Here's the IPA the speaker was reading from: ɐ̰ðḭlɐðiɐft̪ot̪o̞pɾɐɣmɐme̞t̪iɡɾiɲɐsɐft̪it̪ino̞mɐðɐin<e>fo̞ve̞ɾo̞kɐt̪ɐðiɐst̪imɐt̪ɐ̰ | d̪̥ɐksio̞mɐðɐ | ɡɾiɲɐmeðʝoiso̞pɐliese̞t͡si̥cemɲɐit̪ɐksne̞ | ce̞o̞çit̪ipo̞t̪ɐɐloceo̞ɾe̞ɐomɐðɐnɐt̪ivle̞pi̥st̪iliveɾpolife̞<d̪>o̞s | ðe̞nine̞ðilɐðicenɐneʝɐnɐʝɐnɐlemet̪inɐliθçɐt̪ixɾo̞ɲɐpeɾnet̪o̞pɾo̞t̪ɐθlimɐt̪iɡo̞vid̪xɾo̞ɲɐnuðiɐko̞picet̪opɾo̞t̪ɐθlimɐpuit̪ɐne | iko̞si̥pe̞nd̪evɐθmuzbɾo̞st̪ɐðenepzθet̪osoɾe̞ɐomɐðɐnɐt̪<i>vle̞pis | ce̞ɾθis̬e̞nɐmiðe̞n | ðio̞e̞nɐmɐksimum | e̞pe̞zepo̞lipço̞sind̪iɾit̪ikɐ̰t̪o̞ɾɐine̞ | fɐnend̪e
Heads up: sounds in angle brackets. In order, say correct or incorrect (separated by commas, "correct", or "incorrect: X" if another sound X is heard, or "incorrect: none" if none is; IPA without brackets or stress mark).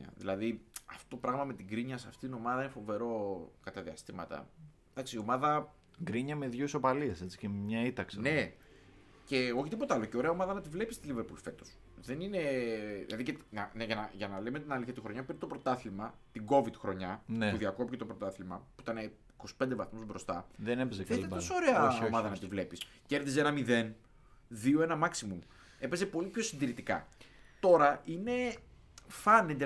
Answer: correct, incorrect: t̪, correct